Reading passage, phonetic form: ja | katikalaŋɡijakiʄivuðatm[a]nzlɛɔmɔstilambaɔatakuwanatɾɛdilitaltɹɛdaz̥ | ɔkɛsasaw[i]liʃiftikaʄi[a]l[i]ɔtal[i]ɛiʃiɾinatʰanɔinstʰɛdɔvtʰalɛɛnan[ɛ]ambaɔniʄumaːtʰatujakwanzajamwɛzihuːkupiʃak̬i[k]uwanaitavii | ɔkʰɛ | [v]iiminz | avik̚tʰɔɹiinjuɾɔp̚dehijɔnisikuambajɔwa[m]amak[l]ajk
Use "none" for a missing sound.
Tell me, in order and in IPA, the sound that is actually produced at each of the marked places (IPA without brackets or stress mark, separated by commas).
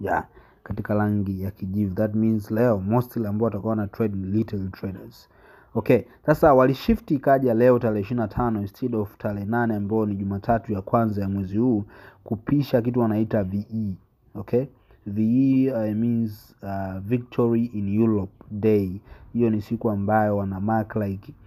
i, a, a, ɛ, ɛ, ɛ, t, v, n, l